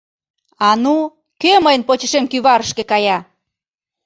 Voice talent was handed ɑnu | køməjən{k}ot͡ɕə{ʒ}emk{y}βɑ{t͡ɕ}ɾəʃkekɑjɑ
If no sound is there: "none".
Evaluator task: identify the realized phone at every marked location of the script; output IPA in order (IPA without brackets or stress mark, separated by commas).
p, ʃ, y, none